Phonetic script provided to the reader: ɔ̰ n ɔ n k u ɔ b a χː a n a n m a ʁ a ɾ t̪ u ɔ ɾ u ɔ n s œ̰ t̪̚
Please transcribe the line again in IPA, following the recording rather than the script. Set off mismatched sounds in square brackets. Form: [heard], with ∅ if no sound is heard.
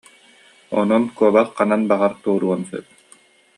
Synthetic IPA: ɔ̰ n ɔ n k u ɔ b a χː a n a n [b] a ʁ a ɾ t̪ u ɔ ɾ u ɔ n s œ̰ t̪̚